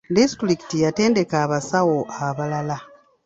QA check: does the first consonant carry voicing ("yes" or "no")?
yes